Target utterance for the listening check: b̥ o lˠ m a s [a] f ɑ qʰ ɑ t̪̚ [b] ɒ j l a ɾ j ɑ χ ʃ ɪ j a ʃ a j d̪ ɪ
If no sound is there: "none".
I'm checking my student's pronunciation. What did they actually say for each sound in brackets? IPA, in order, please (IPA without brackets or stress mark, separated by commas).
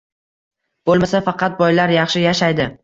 a, b